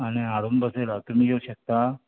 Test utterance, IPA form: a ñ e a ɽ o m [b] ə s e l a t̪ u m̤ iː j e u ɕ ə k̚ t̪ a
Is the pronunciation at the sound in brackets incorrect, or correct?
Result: correct